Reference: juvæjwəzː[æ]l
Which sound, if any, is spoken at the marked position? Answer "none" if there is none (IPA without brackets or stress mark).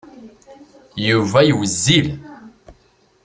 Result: i